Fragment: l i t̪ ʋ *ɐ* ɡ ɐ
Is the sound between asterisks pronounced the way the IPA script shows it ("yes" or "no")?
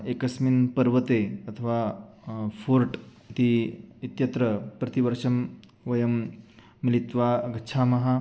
no